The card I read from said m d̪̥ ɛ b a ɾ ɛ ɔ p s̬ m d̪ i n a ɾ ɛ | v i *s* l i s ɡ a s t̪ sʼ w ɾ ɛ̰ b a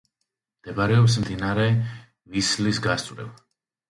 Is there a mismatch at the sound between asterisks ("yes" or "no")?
no